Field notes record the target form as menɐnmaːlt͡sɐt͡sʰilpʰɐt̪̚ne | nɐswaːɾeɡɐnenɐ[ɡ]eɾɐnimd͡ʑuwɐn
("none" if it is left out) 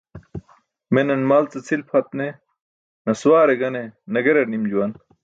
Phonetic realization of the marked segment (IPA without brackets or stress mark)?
ɡ